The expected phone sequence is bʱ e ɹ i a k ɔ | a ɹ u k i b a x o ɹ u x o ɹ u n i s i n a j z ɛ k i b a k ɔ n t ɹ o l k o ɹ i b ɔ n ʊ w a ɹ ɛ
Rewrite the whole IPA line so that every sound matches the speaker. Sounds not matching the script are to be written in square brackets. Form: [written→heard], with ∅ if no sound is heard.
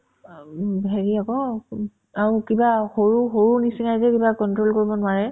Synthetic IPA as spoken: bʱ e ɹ i a k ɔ | a ɹ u k i b a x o ɹ u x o ɹ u n i s i n a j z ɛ k i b a k ɔ n t ɹ o l k o ɹ i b ɔ n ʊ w a ɹ ɛ